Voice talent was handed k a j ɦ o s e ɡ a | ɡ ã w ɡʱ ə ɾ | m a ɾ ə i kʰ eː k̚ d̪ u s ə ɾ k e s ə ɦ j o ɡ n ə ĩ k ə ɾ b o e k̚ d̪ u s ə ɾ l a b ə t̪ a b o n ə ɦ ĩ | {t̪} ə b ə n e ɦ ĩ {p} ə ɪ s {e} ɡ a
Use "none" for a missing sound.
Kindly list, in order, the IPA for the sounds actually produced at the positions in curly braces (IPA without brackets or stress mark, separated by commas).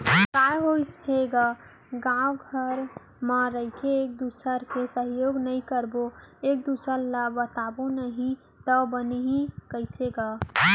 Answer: t̪, k, e